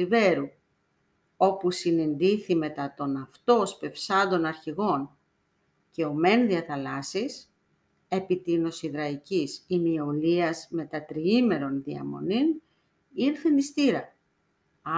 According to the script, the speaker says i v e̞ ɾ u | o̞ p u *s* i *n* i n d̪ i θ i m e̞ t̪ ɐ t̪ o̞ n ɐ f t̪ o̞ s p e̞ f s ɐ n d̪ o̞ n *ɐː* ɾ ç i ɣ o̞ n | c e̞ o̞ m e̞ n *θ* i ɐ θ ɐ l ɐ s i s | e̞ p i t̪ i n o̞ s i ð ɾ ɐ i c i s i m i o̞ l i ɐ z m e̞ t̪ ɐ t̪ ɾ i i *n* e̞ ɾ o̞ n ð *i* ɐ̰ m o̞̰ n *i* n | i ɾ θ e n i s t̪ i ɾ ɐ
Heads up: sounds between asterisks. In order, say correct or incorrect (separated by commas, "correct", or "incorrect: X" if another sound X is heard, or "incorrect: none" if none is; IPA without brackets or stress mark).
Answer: correct, correct, incorrect: ɐ, incorrect: ð, incorrect: m, correct, correct